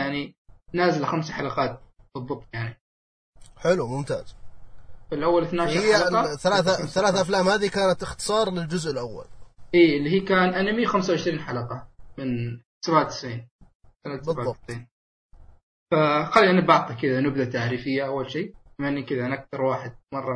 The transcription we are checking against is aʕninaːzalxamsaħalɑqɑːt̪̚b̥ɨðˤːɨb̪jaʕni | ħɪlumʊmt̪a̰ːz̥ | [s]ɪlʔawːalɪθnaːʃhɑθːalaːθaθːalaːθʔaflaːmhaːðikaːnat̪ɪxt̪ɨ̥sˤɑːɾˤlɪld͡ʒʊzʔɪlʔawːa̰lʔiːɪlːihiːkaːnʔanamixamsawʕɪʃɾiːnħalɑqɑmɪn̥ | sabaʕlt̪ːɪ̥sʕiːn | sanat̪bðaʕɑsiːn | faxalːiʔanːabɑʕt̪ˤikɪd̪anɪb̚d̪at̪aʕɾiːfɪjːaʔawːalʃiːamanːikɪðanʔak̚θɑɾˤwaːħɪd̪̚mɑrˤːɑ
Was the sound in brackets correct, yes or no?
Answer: no